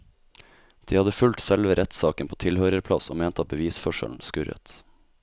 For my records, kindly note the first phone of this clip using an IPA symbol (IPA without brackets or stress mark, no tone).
d̪̥